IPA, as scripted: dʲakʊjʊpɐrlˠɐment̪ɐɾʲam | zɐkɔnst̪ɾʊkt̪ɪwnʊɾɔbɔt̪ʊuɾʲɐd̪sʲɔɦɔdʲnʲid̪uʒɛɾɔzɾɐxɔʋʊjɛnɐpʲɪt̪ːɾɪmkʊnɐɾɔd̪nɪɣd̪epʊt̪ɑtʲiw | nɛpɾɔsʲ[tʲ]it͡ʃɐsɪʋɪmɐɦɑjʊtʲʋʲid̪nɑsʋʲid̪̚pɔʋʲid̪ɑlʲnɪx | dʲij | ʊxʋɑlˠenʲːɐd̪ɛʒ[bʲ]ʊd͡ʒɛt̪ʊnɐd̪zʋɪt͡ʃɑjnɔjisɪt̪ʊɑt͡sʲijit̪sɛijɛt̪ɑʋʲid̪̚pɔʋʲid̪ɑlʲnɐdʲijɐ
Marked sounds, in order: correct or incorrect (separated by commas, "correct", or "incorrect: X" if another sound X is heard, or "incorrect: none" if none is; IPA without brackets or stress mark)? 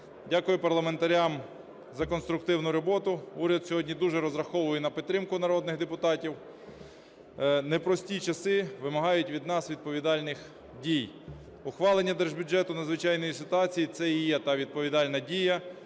correct, correct